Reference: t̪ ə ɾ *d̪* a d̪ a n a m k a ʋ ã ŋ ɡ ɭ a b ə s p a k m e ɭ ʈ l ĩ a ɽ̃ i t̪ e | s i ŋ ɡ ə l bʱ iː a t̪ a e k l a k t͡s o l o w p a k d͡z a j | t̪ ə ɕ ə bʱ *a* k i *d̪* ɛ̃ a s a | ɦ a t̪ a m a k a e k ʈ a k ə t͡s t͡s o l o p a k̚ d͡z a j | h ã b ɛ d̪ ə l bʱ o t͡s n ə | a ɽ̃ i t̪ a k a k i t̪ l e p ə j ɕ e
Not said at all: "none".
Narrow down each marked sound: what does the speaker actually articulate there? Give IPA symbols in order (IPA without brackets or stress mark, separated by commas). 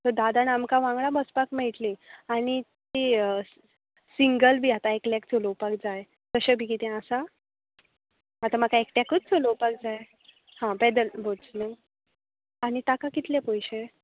d̪, i, t̪